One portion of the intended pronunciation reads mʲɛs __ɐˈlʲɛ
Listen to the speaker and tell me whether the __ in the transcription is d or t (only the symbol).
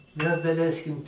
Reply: d